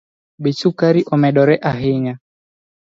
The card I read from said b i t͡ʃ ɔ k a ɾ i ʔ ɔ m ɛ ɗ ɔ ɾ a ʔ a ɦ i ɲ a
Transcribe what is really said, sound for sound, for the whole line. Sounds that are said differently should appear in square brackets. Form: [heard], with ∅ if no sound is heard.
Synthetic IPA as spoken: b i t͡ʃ [u] k a ɾ i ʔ ɔ m ɛ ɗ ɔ ɾ [ɛ] ʔ a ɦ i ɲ a